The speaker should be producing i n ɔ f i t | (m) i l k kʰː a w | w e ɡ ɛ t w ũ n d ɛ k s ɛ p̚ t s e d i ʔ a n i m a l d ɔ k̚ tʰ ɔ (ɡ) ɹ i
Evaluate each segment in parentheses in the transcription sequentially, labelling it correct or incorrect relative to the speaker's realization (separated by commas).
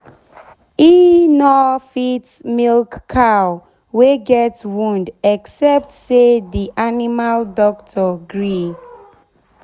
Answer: correct, correct